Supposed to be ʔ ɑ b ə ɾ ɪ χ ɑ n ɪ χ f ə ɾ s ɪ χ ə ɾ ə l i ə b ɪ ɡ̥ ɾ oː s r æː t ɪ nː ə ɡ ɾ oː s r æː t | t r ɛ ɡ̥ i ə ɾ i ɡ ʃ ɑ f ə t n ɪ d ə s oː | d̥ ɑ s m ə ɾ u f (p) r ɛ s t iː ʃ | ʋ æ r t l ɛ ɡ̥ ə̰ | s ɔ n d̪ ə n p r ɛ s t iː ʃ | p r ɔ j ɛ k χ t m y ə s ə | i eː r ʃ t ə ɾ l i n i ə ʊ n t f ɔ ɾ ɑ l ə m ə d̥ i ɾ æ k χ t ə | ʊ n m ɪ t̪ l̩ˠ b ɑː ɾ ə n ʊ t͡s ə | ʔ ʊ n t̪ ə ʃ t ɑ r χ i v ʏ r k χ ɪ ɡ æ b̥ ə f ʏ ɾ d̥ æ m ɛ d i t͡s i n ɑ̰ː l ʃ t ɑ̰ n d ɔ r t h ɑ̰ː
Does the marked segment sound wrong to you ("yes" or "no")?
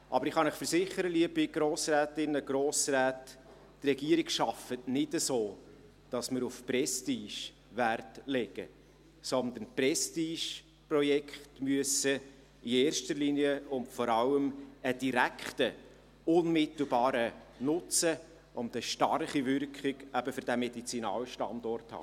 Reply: no